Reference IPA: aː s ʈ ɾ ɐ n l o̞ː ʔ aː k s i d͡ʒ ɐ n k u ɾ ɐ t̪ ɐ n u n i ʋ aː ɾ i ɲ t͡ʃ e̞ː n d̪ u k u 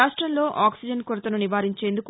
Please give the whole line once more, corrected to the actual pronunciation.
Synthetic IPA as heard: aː ʂ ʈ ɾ ɐ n l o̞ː ʔ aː k s i d͡ʒ ɐ n k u ɾ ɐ t̪ ɐ n u n i ʋ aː ɾ i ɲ t͡ʃ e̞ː n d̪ u k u